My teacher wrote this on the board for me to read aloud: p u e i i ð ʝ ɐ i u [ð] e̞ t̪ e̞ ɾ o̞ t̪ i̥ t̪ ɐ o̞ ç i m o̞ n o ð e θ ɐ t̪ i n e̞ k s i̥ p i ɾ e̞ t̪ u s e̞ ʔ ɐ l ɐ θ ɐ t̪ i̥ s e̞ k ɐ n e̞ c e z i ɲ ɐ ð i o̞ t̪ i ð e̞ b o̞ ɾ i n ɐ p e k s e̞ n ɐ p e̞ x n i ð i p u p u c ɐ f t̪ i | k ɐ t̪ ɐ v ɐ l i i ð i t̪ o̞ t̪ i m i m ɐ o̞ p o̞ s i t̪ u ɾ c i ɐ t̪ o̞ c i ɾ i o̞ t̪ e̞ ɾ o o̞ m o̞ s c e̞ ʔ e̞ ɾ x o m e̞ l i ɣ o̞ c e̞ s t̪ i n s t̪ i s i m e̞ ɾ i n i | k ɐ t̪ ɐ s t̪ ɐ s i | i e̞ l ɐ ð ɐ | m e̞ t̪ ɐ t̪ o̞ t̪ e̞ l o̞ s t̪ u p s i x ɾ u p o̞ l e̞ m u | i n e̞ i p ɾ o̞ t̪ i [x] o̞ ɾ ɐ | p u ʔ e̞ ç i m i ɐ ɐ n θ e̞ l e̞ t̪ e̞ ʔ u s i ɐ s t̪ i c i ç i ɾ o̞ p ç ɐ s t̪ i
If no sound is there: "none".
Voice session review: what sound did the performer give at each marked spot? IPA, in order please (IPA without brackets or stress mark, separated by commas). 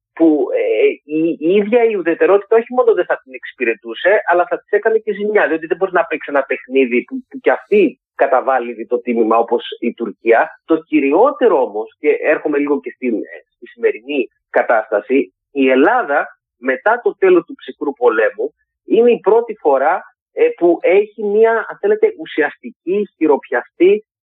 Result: ð, f